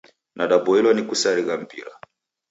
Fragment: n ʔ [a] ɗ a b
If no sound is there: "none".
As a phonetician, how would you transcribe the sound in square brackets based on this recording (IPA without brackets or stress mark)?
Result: a